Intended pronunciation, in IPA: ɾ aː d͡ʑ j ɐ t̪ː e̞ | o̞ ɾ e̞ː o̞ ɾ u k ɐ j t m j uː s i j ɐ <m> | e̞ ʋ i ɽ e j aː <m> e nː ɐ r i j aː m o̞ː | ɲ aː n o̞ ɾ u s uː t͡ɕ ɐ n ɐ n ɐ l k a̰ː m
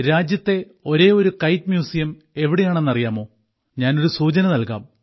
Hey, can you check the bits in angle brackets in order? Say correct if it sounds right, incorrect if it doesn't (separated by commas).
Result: correct, incorrect